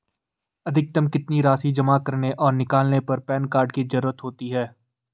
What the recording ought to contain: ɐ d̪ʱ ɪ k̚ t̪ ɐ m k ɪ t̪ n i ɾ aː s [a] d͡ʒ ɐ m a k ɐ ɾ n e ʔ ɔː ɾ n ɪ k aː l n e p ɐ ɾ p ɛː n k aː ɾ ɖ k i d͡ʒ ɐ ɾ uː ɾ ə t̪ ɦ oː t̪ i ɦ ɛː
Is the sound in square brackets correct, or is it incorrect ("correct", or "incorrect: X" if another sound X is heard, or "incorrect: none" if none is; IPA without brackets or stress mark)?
incorrect: i